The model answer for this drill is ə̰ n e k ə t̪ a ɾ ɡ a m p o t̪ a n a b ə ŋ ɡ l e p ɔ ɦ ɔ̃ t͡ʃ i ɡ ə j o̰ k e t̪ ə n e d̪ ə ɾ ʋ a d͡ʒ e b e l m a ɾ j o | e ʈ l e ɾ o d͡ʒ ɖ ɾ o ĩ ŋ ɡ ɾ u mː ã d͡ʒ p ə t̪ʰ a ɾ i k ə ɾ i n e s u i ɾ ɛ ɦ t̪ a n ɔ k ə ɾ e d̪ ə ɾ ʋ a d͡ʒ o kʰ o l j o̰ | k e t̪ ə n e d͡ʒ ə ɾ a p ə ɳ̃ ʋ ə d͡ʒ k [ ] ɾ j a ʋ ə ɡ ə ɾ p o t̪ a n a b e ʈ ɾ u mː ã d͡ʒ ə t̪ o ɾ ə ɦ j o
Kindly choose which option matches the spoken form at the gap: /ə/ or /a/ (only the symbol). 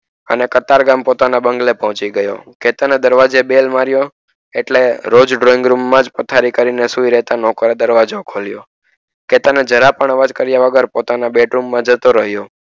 ə